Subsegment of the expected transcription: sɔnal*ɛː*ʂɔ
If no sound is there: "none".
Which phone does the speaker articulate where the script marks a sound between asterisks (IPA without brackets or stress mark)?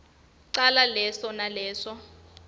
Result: ɛː